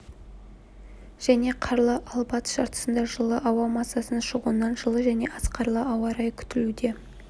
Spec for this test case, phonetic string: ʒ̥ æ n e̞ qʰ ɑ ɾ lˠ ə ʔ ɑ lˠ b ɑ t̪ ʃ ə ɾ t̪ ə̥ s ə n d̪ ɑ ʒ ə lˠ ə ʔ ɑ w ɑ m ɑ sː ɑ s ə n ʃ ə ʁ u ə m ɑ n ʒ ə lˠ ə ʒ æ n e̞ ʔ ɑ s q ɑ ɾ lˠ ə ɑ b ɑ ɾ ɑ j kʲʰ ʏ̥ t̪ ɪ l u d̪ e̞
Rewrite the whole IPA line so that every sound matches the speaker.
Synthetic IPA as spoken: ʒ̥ æ n e̞ qʰ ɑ ɾ lˠ ə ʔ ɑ lˠ b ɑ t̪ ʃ ɑ ɾ t̪ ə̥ s ə n d̪ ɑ ʒ ə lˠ ə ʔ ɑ w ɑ m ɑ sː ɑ s ə n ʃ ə ʁ u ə n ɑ n ʒ ə lˠ ə ʒ æ n e̞ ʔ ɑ s q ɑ ɾ lˠ ə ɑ w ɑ ɾ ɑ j kʲʰ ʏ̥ t̪ ɪ l u d̪ e̞